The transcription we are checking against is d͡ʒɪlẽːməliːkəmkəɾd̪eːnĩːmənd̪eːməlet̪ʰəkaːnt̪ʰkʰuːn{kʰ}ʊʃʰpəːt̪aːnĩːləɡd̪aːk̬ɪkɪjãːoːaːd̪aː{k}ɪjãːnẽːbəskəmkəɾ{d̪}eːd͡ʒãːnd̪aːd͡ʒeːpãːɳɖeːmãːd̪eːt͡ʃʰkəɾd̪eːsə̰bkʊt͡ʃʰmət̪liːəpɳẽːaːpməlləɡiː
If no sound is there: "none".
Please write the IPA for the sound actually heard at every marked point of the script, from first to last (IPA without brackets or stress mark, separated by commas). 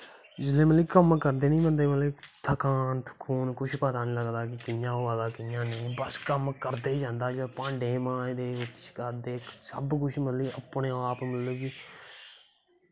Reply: k, k, d̪